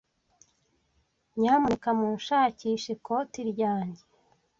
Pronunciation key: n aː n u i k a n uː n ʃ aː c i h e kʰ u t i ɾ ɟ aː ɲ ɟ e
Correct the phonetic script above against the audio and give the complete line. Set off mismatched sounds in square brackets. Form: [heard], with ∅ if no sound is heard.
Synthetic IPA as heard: [ɲ] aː [m] u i k a [m] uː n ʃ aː c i [ʃ] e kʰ [o] t i ɾ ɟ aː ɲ ɟ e